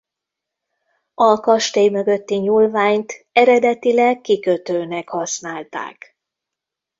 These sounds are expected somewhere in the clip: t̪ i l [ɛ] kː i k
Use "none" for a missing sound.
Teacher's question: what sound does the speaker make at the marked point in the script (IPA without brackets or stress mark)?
ɛ